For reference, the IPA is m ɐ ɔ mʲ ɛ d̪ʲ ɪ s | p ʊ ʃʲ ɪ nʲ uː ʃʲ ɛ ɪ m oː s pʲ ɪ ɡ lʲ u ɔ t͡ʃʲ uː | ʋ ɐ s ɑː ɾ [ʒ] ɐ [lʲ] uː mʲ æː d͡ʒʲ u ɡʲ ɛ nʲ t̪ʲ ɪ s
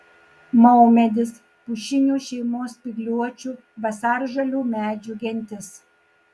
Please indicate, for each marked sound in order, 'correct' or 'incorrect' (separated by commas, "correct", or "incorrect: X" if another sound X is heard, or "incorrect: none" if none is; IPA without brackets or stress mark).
correct, correct